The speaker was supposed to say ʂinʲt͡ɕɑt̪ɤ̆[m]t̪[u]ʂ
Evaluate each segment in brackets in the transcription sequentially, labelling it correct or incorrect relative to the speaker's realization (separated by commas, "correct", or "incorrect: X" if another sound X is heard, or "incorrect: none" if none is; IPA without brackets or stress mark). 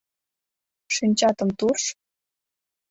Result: correct, correct